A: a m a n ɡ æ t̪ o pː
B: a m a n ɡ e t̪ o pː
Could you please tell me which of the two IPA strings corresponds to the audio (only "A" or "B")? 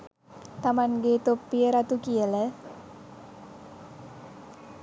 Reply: B